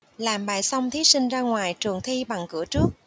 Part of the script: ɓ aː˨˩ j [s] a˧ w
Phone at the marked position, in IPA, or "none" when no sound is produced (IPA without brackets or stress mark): s